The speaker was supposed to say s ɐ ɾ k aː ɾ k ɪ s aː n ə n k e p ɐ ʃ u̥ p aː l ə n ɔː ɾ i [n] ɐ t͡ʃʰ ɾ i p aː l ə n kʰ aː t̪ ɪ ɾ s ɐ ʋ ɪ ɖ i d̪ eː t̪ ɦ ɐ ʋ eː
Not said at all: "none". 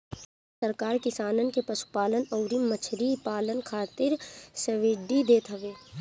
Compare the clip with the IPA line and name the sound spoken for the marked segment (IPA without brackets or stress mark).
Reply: m